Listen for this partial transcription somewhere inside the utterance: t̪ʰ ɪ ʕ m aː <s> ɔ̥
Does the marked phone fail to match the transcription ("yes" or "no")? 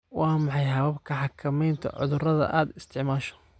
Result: yes